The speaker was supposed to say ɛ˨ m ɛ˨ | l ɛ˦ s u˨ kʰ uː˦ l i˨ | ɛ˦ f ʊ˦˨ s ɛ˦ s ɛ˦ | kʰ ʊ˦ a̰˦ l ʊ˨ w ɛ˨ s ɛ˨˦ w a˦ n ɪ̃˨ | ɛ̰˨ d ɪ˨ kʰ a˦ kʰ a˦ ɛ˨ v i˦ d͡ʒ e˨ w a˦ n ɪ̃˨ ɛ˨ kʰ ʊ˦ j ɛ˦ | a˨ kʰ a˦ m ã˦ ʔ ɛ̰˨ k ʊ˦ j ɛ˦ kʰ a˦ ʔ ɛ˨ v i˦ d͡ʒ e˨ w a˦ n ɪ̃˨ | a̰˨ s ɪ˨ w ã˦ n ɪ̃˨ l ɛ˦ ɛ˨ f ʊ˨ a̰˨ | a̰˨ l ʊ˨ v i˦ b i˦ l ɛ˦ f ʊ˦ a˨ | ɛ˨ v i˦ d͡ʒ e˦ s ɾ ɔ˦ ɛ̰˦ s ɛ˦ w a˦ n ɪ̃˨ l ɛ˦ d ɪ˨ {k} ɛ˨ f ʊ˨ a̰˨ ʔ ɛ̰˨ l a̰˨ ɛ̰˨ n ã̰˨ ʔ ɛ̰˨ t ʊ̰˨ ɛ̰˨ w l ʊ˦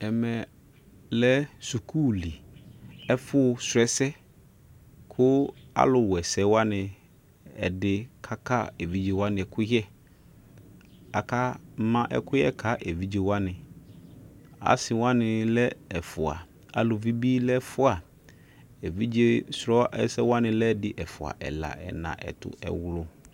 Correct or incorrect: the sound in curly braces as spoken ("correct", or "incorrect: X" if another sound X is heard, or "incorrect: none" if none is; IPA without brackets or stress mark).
incorrect: ʔ